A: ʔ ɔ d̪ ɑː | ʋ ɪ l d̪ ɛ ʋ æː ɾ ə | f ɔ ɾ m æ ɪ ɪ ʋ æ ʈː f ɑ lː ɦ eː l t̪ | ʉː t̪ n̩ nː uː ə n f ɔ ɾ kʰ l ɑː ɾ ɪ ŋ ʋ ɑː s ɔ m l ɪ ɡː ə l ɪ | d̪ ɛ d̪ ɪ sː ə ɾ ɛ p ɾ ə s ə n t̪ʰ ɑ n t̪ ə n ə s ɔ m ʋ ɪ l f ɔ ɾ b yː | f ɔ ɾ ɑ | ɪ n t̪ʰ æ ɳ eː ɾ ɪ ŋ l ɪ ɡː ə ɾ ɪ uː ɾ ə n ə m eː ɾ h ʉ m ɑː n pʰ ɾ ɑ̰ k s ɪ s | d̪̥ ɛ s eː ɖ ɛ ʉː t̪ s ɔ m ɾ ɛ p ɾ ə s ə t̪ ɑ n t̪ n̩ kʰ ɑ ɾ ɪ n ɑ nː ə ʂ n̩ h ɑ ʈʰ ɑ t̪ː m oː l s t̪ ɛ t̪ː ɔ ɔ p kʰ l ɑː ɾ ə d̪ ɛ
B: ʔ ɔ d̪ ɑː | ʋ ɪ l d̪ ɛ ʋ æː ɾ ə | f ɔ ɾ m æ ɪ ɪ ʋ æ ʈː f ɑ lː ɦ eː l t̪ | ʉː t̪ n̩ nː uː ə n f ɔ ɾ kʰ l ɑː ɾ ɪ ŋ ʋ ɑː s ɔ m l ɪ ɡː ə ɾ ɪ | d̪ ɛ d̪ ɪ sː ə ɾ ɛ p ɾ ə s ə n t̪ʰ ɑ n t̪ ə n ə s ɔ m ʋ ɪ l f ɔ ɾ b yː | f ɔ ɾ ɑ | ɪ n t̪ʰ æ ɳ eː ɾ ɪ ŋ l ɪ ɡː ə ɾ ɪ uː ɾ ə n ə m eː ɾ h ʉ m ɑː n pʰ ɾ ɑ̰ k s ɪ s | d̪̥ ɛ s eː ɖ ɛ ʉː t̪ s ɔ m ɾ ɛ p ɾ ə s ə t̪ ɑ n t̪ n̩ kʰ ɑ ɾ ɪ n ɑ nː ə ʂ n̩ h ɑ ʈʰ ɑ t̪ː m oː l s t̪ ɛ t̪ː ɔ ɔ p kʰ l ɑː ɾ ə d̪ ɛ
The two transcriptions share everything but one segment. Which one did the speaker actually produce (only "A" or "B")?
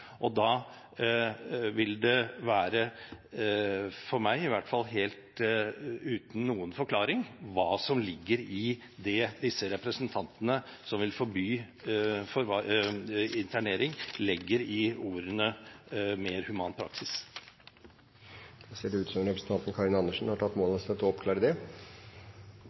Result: B